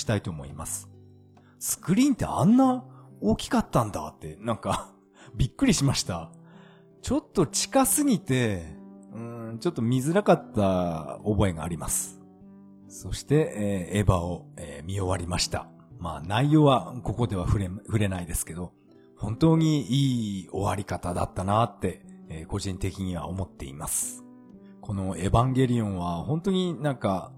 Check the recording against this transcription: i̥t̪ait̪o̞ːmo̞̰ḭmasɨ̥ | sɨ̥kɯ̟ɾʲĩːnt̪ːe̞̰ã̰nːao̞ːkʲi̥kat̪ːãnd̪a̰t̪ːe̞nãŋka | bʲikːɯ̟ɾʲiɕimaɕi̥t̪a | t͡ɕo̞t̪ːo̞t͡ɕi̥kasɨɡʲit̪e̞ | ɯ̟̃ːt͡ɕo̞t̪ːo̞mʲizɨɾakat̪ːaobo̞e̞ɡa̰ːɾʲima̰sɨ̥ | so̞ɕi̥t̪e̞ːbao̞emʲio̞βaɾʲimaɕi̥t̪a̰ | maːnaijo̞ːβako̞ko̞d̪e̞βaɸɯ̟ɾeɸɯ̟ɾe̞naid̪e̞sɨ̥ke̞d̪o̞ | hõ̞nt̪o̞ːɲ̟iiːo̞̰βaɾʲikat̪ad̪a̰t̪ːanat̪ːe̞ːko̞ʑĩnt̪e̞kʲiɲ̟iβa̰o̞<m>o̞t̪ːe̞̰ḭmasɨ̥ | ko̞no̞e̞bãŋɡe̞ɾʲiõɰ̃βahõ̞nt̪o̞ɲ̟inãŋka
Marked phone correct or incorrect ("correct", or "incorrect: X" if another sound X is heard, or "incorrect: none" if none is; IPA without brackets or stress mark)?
correct